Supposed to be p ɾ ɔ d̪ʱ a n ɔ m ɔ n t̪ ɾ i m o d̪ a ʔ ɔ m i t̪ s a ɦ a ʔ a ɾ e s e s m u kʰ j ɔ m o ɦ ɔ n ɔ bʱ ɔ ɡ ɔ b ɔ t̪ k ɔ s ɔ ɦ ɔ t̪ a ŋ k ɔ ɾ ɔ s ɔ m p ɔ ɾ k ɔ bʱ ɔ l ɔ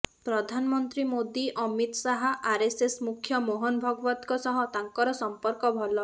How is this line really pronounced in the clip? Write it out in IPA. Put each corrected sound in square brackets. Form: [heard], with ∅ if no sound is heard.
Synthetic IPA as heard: p ɾ ɔ d̪ʱ a n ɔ m ɔ n t̪ ɾ i m o d̪ [i] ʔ ɔ m i t̪ s a ɦ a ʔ a ɾ e s e s m u kʰ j ɔ m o ɦ ɔ n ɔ bʱ ɔ ɡ ɔ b ɔ t̪ k ɔ s ɔ ɦ ɔ t̪ a ŋ k ɔ ɾ ɔ s ɔ m p ɔ ɾ k ɔ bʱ ɔ l ɔ